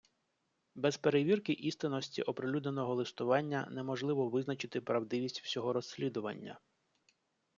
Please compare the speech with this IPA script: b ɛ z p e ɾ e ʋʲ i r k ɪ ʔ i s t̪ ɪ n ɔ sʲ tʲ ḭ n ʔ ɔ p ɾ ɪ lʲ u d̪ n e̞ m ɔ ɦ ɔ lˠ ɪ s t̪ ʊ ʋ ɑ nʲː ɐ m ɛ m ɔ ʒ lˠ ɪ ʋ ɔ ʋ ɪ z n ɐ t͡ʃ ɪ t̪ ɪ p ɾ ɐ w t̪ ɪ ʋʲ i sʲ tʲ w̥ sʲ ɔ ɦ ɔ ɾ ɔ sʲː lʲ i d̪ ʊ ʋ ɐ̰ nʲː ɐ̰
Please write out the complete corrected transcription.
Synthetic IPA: b ɛ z p e ɾ e ʋʲ i r k ɪ ʔ i s t̪ ɪ n ɔ sʲ tʲ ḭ ʔ ɔ p ɾ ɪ lʲ u d̪ n e̞ n ɔ ɦ ɔ lˠ ɪ s t̪ ʊ ʋ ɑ nʲː ɐ n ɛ m ɔ ʒ lˠ ɪ ʋ ɔ ʋ ɪ z n ɐ t͡ʃ ɪ t̪ ɪ p ɾ ɐ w d̪ ɪ ʋʲ i sʲ tʲ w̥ sʲ ɔ ɦ ɔ ɾ ɔ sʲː lʲ i d̪ ʊ ʋ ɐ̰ nʲː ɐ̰